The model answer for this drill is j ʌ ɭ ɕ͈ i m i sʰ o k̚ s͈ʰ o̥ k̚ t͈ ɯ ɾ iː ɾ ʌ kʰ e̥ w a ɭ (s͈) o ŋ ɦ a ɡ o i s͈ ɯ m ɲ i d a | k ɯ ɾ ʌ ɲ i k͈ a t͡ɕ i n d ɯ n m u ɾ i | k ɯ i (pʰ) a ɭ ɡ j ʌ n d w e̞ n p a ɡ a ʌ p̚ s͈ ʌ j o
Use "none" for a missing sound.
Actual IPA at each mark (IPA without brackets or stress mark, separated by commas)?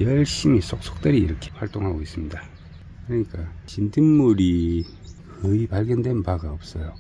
t͈, p